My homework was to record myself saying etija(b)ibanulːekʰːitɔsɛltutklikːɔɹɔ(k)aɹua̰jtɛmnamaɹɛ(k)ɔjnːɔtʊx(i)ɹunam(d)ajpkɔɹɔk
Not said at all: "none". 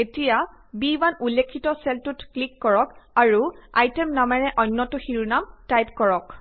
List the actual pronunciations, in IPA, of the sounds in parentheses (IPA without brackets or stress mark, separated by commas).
b, k, ʔ, i, t